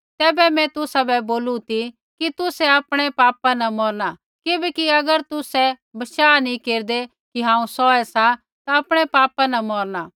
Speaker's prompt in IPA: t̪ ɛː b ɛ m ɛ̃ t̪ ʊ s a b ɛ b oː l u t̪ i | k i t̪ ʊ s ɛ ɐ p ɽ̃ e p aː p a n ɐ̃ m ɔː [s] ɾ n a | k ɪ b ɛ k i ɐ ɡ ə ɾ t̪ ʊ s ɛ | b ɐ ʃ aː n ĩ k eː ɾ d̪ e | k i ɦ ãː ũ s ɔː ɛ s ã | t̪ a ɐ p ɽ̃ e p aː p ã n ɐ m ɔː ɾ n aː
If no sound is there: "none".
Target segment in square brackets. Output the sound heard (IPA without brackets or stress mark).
none